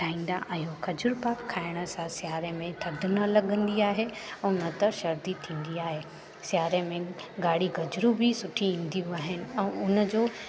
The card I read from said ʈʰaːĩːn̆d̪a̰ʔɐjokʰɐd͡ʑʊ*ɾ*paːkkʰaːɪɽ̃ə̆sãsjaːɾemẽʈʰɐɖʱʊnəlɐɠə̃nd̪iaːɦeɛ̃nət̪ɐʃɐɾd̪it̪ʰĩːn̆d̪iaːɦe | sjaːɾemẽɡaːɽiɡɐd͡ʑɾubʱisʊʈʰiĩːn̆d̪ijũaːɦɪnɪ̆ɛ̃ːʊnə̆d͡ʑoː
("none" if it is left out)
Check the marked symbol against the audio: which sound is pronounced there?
ɾ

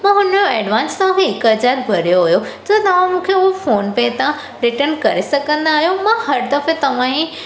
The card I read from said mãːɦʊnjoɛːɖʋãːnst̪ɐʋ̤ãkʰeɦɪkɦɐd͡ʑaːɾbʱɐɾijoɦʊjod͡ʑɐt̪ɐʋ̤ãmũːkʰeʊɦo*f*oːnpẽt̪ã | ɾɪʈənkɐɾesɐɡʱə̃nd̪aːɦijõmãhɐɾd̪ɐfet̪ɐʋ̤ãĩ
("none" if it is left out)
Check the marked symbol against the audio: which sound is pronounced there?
f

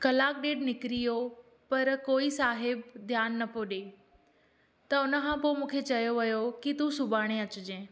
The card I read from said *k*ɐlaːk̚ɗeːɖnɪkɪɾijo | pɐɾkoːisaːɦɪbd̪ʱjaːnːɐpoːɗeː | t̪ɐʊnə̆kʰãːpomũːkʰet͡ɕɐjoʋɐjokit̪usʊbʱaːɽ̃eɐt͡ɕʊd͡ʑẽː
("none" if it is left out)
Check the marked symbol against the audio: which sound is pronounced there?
k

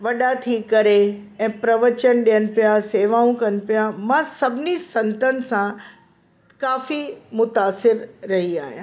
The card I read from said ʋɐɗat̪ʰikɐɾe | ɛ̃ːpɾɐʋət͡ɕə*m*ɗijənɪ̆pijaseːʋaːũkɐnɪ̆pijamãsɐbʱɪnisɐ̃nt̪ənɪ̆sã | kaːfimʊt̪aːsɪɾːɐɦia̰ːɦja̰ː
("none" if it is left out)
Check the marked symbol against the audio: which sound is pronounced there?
n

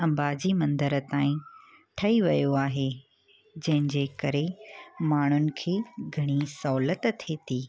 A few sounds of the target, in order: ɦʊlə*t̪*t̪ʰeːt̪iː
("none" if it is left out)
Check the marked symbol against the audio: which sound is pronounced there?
t̪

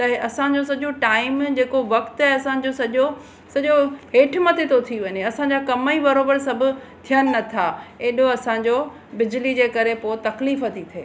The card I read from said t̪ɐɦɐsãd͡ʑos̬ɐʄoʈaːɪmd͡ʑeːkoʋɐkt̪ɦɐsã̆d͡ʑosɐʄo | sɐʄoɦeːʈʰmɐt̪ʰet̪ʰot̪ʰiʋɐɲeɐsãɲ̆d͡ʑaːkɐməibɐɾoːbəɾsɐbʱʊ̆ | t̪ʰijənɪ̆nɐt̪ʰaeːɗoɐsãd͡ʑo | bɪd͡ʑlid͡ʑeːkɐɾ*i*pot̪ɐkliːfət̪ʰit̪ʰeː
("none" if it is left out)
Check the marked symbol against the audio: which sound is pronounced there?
e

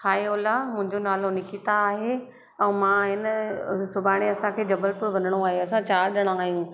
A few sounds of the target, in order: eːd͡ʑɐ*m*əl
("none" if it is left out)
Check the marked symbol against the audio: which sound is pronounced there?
b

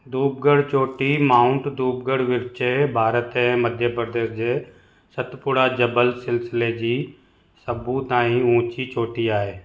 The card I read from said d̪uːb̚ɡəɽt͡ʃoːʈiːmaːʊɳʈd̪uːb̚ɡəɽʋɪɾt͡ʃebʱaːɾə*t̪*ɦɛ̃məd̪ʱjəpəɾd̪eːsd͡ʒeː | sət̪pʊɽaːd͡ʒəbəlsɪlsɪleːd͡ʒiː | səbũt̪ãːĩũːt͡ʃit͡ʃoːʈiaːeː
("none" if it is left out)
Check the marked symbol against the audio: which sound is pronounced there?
t̪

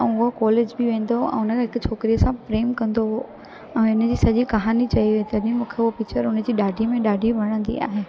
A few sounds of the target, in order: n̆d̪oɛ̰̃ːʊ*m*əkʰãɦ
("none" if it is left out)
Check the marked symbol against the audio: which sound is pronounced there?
n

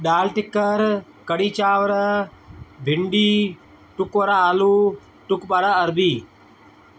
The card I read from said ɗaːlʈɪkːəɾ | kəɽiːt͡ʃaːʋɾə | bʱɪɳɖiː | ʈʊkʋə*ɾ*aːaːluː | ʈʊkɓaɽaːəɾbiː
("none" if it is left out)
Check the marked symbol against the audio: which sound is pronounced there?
ɾ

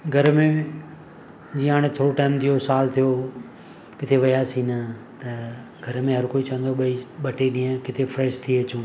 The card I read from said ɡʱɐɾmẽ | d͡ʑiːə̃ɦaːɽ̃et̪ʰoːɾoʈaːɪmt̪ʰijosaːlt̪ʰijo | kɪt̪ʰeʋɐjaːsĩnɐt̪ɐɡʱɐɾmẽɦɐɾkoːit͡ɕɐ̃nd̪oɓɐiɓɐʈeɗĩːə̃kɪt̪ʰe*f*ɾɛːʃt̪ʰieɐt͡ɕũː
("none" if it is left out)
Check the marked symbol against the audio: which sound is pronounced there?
f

